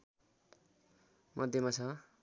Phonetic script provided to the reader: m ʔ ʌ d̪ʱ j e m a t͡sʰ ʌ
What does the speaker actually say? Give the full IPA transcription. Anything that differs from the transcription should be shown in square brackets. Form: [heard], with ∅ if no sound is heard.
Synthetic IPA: m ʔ ʌ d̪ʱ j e m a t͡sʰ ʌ